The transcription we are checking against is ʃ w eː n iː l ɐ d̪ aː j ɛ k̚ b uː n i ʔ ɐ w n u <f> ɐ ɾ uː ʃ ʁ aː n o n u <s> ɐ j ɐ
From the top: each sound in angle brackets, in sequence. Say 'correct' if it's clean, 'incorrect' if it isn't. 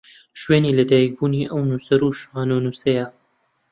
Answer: incorrect: s, correct

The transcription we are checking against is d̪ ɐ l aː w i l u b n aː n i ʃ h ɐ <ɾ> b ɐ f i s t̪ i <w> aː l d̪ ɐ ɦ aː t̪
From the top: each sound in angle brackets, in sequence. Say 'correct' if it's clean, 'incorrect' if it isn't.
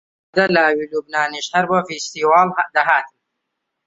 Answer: correct, correct

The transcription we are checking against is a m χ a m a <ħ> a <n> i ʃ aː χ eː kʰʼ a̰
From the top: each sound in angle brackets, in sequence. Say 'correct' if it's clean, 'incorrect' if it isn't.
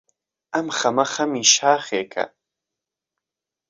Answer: incorrect: χ, incorrect: m

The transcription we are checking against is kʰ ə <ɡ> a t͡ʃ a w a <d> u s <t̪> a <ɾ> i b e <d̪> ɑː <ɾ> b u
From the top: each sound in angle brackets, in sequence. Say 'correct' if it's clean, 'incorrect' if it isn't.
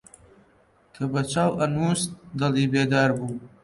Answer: incorrect: b, incorrect: n, incorrect: d̪, incorrect: l, correct, correct

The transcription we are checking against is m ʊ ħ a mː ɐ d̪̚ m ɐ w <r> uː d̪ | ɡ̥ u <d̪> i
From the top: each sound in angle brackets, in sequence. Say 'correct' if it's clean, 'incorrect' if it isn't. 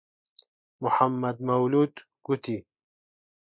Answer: incorrect: l, incorrect: t̪

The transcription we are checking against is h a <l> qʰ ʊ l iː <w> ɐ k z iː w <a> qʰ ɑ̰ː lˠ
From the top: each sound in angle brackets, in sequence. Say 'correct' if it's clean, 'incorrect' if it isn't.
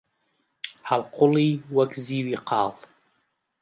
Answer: correct, correct, incorrect: i

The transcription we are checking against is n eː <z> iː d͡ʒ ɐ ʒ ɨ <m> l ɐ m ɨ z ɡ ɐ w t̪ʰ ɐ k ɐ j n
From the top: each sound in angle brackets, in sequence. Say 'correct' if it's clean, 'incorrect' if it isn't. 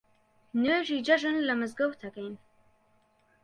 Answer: incorrect: ʒ, incorrect: n

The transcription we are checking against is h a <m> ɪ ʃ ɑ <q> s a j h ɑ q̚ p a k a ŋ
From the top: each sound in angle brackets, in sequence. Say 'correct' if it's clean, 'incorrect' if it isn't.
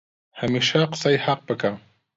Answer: correct, correct

